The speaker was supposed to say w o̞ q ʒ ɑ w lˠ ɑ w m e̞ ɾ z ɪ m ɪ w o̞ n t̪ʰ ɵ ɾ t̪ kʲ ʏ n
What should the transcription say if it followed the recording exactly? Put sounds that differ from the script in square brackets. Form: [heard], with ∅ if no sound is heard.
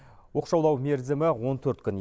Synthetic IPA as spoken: w o̞ q [ʃ] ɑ w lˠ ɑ w m e̞ ɾ z ɪ m ɪ w o̞ n t̪ʰ ɵ ɾ t̪ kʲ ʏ n